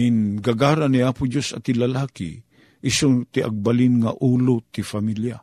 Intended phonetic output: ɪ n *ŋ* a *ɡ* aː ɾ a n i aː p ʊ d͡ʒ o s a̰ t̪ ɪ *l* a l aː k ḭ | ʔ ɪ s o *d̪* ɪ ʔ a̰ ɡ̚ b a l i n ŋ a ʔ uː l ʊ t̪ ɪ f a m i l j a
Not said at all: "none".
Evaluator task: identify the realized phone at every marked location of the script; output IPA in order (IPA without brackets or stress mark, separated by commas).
ɡ, ɡ, l, t̪